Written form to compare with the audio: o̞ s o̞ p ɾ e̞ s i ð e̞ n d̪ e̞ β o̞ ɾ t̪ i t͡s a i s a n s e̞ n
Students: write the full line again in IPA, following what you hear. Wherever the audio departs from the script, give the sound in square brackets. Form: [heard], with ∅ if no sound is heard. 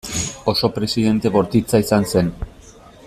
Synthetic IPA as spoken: o̞ s o̞ p ɾ e̞ s i ð e̞ n [t̪] e̞ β o̞ ɾ t̪ i t͡s a i s a n s e̞ n